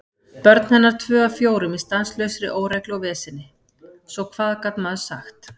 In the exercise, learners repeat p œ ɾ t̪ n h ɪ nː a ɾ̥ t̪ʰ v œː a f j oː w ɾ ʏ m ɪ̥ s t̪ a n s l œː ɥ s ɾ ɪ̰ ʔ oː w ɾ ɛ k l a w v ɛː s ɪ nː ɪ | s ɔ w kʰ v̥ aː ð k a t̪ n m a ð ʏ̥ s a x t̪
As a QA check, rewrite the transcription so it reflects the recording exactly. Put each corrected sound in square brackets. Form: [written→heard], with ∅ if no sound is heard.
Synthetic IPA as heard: p œ ɾ t̪ n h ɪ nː a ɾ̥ t̪ʰ v œː a f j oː w ɾ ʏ m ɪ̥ s t̪ a n s l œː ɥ s ɾ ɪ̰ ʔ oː w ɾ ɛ k l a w v ɛː s ɪ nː ɪ | s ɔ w kʰ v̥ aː ð k a t̪ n m a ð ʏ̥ s a x t̪